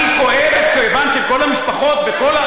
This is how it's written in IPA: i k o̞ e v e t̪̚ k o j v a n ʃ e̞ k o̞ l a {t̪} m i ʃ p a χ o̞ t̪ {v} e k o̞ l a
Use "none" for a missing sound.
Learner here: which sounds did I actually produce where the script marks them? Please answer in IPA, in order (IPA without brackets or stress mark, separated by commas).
none, v